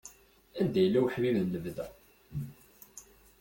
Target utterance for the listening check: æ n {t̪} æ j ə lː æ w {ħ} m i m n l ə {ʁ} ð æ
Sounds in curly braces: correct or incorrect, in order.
incorrect: d̪, correct, incorrect: v

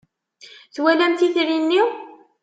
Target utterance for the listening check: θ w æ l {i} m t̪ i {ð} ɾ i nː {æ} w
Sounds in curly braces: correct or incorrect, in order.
incorrect: æ, incorrect: θ, incorrect: i

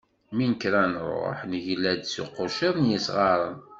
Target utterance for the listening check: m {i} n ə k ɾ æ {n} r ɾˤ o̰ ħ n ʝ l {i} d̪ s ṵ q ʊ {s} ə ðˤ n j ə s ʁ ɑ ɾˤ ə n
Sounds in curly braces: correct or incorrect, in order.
correct, correct, incorrect: æ, incorrect: ʃ

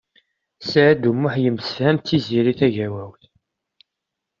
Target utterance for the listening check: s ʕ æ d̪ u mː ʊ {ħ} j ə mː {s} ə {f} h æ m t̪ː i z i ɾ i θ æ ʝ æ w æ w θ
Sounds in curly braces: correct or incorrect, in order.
correct, correct, correct

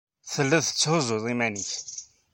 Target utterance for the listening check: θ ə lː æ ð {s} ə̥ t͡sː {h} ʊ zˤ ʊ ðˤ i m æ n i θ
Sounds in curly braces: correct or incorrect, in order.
incorrect: θ, correct

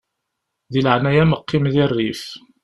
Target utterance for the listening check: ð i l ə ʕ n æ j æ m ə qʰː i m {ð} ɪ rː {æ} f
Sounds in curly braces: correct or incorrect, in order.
correct, incorrect: i

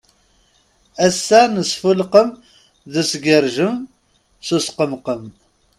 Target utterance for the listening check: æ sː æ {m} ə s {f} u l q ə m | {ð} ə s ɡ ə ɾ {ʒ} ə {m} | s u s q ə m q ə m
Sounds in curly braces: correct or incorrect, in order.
incorrect: n, correct, correct, correct, correct

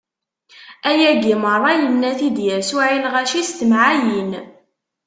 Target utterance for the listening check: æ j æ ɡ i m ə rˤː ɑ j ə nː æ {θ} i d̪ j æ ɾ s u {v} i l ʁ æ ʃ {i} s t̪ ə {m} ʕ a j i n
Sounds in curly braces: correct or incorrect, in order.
correct, incorrect: ʕ, correct, correct

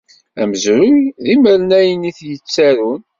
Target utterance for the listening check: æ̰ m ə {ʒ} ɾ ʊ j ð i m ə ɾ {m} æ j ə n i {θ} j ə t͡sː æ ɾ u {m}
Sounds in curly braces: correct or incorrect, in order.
incorrect: z, incorrect: n, correct, incorrect: n

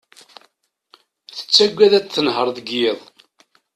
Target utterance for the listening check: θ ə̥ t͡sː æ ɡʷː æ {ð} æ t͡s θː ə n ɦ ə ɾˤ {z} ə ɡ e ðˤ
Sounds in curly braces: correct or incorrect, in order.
correct, incorrect: ð

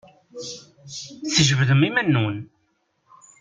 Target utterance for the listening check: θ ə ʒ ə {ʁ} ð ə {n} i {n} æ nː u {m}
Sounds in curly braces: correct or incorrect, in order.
incorrect: v, incorrect: m, incorrect: m, incorrect: n

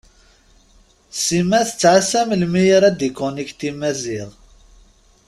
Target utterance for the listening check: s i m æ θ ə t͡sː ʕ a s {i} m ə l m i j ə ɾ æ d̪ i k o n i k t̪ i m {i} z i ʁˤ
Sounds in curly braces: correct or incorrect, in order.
incorrect: æ, incorrect: æ

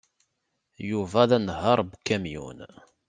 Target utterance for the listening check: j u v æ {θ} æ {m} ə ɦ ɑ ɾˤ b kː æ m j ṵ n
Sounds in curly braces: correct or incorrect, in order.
incorrect: ð, incorrect: n

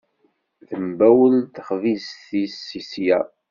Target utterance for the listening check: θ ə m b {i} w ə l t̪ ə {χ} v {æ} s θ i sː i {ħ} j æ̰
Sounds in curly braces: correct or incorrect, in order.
incorrect: æ, correct, incorrect: i, incorrect: s

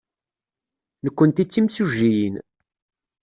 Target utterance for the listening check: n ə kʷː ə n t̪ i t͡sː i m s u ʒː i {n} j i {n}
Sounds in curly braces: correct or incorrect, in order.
incorrect: none, correct

